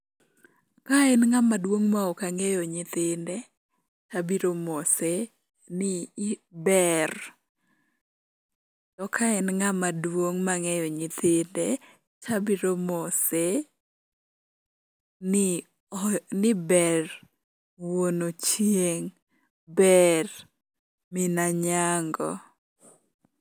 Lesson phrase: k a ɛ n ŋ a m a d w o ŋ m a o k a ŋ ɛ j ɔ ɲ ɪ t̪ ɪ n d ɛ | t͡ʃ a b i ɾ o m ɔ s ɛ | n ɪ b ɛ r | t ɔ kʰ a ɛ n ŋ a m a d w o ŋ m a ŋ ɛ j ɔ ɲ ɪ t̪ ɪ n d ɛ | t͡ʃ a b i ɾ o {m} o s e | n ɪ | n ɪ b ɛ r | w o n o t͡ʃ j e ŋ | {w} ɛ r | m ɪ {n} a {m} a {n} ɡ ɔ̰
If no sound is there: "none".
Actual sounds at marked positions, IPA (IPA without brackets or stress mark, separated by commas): m, b, n, ɲ, ŋ